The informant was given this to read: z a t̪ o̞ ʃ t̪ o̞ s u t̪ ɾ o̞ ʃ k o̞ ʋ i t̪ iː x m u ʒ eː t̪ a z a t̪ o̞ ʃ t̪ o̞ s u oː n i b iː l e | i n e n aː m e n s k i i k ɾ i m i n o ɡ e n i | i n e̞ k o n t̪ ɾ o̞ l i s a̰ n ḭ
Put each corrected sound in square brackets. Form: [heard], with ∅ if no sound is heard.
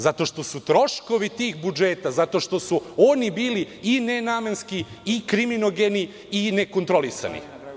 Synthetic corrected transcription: z a t̪ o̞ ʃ t̪ o̞ s u t̪ ɾ o̞ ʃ k o̞ ʋ i t̪ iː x [b] u [d͡ʒ] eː t̪ a z a t̪ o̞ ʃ t̪ o̞ s u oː n i b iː l [i] | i n e n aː m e n s k i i k ɾ i m i n o ɡ e n i | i n e̞ k o n t̪ ɾ o̞ l i s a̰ n ḭ